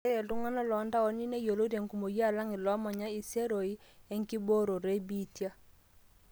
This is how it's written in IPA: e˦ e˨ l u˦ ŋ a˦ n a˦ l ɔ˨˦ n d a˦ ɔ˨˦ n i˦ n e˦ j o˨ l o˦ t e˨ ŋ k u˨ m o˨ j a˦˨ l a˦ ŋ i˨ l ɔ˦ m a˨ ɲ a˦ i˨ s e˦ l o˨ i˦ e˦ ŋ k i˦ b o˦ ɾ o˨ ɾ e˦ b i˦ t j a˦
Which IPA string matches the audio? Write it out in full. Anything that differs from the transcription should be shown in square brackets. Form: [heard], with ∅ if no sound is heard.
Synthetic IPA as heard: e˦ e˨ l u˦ ŋ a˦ n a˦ l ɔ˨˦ n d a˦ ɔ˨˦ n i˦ n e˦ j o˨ l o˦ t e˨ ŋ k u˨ m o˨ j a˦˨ l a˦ ŋ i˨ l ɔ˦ m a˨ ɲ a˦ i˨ s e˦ [ɾ] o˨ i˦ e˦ ŋ k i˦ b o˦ ɾ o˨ ɾ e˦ b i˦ t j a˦